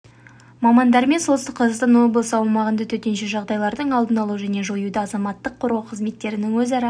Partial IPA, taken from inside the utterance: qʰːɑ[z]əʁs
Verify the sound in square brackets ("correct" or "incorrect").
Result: correct